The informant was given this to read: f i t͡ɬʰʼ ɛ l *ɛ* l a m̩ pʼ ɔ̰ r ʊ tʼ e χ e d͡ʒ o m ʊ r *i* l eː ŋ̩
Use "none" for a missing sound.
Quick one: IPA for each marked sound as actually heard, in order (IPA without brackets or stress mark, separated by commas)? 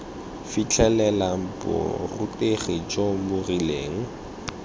ɛ, i